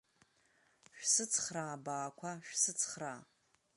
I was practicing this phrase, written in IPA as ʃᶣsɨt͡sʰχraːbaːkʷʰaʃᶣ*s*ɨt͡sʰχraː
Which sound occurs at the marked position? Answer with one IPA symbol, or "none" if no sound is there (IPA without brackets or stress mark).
s